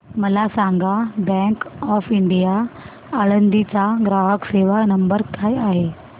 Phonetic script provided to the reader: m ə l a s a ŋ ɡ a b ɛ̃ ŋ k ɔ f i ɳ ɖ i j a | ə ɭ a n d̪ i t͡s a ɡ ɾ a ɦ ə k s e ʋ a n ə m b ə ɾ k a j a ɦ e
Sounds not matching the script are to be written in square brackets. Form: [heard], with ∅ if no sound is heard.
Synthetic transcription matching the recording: m ə l a s a ŋ ɡ a b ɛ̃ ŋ k ɔ f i ɳ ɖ i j a | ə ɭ [ə] n d̪ i t͡s a ɡ ɾ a ɦ ə k s e ʋ a n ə m b ə ɾ k a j a ɦ e